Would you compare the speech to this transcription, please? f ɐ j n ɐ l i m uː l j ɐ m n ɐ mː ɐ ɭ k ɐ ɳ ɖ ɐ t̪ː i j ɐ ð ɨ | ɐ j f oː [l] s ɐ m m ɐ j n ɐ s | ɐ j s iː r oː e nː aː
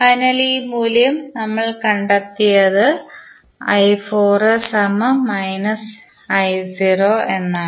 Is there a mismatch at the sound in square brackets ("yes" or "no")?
yes